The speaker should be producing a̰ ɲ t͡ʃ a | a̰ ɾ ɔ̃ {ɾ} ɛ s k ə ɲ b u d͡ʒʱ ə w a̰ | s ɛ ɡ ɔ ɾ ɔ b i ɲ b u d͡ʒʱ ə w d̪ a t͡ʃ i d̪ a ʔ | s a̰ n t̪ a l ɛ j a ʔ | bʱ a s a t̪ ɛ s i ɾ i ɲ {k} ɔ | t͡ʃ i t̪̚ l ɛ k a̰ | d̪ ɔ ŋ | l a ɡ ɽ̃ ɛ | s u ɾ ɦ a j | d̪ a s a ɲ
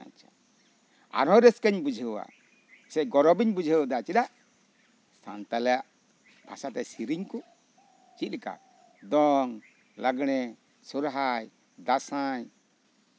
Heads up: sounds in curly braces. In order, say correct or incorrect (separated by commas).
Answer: correct, correct